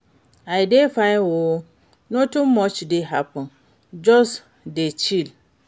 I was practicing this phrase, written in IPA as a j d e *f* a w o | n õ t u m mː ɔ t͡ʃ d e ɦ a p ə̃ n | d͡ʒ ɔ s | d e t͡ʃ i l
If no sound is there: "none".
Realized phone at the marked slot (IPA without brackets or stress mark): f